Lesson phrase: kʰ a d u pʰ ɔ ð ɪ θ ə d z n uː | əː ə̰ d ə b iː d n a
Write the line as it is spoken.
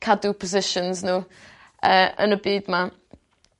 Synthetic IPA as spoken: kʰ a d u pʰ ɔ z ɪ ʃ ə n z n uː | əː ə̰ n ə b iː d m a